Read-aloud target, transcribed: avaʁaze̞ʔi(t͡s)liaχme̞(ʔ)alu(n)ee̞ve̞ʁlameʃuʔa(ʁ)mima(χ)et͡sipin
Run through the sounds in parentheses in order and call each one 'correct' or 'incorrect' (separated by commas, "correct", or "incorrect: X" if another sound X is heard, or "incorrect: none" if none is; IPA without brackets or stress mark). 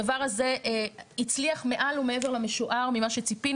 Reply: correct, correct, incorrect: m, correct, incorrect: ʃ